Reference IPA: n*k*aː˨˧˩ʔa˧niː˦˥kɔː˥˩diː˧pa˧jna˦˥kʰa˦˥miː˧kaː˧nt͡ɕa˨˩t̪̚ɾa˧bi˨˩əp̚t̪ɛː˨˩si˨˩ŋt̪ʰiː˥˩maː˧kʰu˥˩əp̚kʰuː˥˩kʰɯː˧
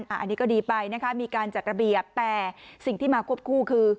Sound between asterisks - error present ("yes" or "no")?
yes